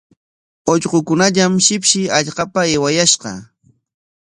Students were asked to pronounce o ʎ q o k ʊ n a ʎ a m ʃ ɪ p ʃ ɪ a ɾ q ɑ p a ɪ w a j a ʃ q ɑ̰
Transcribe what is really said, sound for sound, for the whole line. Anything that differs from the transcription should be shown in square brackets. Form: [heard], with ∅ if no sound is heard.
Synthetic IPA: o ʎ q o k ʊ n a ʎ a m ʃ ɪ p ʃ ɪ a [ʎ] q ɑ p a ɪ w a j a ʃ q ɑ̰